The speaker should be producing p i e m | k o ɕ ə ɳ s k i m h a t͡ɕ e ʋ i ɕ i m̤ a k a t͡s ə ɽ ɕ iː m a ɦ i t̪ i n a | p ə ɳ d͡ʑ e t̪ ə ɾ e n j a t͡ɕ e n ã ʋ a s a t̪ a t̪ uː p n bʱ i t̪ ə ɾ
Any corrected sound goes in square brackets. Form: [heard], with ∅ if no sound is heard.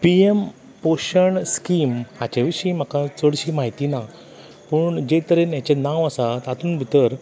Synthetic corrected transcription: p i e m | [p] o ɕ ə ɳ s k i m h a t͡ɕ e ʋ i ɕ i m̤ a k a t͡s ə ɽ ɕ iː m a ɦ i t̪ i n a | p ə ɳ d͡ʑ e t̪ ə ɾ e n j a t͡ɕ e n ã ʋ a s a t̪ a t̪ uː [∅] n bʱ i t̪ ə ɾ